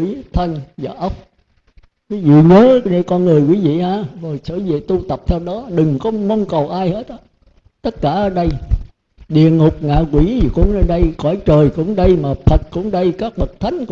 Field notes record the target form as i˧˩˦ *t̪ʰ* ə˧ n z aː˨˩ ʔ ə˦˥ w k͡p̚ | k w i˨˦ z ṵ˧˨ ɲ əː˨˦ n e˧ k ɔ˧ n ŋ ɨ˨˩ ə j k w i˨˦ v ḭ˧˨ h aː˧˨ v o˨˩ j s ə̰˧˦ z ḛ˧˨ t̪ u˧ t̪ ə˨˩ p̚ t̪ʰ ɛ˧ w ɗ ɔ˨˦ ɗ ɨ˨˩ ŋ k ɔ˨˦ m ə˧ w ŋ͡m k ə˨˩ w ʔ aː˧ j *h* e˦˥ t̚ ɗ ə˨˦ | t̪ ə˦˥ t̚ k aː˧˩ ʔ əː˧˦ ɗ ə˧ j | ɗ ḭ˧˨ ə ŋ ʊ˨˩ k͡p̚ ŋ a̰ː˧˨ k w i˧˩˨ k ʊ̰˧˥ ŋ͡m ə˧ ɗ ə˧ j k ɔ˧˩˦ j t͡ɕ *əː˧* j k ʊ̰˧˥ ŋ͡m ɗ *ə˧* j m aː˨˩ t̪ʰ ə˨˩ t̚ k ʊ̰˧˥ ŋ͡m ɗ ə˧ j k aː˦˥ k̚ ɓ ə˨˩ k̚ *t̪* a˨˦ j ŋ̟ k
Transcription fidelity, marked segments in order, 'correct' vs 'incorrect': correct, correct, incorrect: əː˨˩, correct, incorrect: t̪ʰ

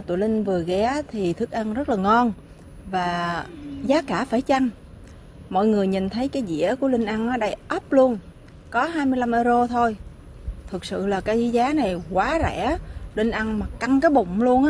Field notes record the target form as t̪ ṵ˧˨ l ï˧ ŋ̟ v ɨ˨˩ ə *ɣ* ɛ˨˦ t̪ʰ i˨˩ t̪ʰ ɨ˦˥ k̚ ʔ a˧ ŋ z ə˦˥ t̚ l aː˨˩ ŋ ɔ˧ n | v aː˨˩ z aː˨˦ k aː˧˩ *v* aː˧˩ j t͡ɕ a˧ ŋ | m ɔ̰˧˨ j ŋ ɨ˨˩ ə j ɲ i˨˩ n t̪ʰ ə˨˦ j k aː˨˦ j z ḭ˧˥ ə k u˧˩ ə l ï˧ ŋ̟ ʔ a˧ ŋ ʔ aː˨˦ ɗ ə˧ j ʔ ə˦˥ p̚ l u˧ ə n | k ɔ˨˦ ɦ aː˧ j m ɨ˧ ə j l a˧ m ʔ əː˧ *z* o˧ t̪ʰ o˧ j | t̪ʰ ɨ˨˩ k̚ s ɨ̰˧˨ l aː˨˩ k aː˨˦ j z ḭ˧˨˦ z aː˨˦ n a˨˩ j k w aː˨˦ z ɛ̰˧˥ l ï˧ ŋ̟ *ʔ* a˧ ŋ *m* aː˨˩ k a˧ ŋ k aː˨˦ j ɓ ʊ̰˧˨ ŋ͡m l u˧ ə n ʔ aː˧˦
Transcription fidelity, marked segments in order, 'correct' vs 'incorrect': correct, incorrect: f, correct, correct, correct

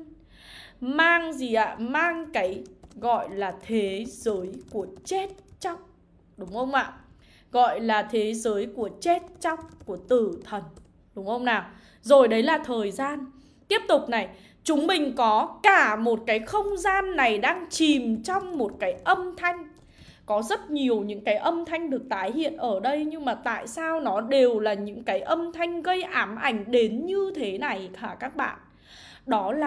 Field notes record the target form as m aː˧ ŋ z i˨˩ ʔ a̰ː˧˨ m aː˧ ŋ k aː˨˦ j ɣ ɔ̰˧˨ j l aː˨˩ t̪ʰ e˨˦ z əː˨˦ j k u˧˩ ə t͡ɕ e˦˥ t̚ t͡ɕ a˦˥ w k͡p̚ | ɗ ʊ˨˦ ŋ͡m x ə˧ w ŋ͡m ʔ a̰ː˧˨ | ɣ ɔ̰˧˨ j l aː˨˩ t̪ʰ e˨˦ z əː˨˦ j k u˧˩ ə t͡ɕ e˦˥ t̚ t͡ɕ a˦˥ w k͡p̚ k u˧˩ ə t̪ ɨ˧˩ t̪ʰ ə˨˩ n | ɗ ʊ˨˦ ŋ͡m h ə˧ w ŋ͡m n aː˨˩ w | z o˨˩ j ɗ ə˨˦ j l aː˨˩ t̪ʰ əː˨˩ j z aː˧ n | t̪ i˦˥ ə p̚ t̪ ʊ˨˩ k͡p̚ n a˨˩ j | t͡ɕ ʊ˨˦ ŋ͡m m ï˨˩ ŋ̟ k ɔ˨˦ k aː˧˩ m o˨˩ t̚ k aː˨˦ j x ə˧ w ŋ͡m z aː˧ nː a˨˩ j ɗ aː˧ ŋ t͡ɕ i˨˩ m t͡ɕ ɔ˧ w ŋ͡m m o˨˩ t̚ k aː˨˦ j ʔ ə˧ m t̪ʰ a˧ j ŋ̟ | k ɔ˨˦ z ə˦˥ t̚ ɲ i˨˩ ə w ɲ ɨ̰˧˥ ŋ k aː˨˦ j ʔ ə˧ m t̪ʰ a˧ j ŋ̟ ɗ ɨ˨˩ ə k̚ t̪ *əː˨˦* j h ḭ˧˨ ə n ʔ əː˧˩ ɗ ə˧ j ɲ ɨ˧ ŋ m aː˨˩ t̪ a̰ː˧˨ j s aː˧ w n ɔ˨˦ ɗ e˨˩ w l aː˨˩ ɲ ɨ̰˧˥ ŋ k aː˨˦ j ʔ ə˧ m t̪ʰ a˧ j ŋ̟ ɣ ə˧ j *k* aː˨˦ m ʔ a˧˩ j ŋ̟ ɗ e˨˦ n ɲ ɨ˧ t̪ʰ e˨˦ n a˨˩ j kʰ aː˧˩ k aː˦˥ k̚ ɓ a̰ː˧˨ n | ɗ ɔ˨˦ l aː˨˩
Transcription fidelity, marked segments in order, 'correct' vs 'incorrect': incorrect: aː˨˦, incorrect: ʔ

